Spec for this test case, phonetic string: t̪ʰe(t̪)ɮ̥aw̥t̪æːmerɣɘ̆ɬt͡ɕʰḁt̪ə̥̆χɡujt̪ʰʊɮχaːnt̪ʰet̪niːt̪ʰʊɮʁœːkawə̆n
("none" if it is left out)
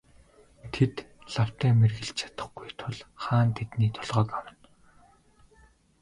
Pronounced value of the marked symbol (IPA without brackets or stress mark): t̪